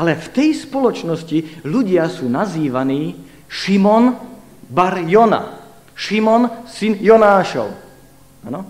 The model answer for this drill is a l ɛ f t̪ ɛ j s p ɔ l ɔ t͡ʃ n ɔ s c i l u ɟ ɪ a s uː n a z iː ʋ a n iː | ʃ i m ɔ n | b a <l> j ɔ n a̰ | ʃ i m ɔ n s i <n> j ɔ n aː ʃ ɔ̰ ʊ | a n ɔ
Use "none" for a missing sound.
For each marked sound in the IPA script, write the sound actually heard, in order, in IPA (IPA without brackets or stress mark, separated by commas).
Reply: ɾ, n